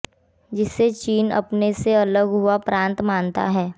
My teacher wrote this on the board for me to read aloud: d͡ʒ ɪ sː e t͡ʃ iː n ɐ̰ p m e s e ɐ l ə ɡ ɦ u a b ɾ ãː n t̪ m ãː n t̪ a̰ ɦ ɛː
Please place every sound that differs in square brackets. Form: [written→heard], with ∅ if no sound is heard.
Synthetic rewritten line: d͡ʒ ɪ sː e t͡ʃ iː n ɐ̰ p [m→n] e s e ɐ l ə ɡ ɦ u a [b→p] ɾ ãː n t̪ m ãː n t̪ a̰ ɦ ɛː